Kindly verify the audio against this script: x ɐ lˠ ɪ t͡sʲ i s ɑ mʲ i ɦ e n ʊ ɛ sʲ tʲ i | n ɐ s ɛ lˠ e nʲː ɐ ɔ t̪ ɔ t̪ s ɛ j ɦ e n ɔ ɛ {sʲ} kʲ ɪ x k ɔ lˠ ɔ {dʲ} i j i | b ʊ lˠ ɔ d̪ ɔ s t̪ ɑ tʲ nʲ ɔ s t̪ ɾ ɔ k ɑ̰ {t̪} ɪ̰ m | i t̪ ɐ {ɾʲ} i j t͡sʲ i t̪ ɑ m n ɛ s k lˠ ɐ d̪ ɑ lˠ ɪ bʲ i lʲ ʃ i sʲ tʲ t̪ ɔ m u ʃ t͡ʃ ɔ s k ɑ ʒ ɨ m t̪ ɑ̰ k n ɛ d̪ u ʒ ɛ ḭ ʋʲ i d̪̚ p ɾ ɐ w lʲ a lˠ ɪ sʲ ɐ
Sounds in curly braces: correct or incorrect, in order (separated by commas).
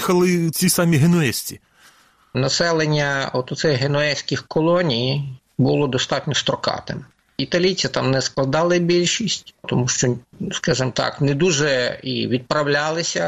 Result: correct, incorrect, correct, incorrect